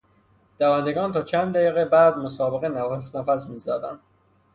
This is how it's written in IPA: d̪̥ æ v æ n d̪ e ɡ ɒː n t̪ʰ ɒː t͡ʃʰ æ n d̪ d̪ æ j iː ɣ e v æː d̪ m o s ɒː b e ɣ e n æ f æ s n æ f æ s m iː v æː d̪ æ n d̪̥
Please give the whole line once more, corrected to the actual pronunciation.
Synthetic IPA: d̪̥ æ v æ n d̪ e ɡ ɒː n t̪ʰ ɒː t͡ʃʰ æ n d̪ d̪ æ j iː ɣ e b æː d̪ m o s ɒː b e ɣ e n æ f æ s n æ f æ s m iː z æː d̪ æ n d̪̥